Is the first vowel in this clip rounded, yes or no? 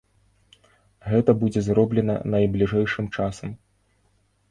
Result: no